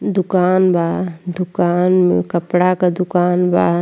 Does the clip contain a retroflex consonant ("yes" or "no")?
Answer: yes